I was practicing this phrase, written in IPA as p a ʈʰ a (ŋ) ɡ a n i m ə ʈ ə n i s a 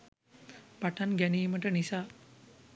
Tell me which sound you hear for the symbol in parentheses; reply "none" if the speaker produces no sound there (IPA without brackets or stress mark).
n